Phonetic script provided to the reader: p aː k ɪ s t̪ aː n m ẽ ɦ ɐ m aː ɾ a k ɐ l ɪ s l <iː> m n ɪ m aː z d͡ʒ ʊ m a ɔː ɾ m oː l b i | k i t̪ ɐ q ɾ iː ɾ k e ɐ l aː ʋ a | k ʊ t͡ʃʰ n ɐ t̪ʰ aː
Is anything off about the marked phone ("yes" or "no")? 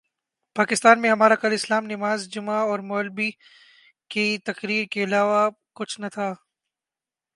yes